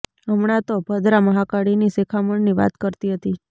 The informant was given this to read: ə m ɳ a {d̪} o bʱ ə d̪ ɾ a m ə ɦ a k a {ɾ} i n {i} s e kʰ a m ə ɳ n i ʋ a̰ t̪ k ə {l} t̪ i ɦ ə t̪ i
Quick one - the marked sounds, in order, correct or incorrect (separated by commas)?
incorrect, incorrect, correct, incorrect